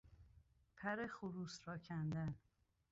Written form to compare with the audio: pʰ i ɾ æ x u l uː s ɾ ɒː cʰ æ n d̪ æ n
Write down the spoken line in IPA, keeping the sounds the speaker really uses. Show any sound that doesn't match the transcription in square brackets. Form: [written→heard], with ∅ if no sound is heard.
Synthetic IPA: pʰ [i→æ] ɾ [æ→e] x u [l→ɾ] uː s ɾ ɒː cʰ æ n d̪ æ n